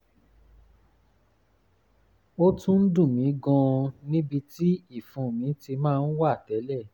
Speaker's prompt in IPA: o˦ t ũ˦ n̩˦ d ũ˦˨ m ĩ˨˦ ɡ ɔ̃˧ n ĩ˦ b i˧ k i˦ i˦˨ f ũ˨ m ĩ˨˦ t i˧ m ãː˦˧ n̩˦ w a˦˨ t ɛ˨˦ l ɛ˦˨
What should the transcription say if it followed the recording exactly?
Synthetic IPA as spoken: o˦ t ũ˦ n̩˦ d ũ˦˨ m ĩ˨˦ ɡ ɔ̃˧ n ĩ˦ b i˧ t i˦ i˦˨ f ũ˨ m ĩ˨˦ t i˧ m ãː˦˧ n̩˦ w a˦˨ t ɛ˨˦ l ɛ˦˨